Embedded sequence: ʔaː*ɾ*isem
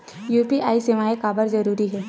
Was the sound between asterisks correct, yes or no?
no